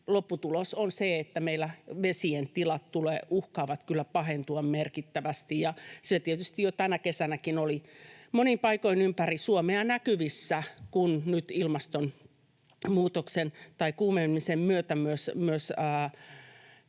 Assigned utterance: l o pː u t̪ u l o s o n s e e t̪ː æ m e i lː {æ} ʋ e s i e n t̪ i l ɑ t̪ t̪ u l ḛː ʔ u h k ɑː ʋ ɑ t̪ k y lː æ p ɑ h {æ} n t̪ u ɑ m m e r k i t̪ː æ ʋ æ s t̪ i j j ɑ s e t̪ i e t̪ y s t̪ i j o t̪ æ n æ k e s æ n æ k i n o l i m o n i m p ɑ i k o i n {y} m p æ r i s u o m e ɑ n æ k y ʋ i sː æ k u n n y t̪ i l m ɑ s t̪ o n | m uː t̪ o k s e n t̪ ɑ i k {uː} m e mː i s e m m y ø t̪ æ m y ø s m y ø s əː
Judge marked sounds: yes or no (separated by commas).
yes, no, yes, yes